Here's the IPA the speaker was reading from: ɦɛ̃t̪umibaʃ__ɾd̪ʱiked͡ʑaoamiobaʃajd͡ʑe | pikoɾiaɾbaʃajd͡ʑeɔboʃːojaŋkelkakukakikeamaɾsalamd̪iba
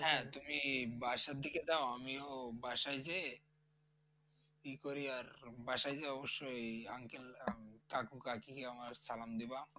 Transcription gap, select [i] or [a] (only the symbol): a